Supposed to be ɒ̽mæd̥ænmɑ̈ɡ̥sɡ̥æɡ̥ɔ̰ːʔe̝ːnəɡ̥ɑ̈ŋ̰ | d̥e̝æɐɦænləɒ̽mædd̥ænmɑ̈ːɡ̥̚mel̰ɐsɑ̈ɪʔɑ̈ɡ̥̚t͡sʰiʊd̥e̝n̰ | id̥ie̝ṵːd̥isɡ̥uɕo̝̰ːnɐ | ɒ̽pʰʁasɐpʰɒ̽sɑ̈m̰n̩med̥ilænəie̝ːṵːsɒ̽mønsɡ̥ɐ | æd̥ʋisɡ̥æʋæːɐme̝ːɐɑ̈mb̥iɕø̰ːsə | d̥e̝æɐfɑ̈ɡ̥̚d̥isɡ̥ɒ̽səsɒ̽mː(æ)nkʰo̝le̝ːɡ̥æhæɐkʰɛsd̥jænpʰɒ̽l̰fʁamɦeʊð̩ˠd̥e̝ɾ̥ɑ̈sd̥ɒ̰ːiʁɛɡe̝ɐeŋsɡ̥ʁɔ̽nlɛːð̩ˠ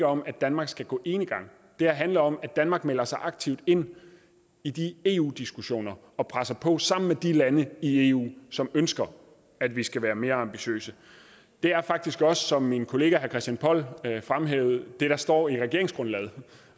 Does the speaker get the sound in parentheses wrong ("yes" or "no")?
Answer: yes